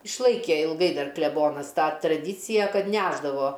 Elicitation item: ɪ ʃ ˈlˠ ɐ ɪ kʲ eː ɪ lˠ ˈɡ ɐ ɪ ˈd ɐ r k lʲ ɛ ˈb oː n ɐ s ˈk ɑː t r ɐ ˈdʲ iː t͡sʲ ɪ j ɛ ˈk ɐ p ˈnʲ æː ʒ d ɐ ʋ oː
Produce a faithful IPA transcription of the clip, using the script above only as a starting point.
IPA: ɪ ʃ ˈlˠ ɐ ɪ kʲ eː ɪ lˠ ˈɡ ɐ ɪ ˈd ɐ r k lʲ ɛ ˈb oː n ɐ s ˈt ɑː t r ɐ ˈdʲ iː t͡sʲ ɪ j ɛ ˈk ɐ t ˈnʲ æː ʒ d ɐ ʋ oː